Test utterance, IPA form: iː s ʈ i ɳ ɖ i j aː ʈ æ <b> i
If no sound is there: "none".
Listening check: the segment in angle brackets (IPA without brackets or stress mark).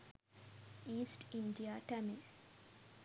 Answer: m